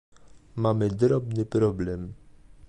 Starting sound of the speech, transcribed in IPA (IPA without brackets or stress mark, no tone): m